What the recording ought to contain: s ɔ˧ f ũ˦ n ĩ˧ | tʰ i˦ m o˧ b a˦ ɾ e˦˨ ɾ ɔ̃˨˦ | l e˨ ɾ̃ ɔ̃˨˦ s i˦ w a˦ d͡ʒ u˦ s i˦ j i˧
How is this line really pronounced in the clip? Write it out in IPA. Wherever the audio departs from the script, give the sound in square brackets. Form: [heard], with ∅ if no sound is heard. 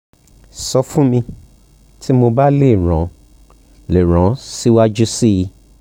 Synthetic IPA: s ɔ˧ f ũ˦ [m] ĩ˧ | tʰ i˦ m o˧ b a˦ [l] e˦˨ ɾ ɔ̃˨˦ | l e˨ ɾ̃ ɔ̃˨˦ s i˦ w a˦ d͡ʒ u˦ s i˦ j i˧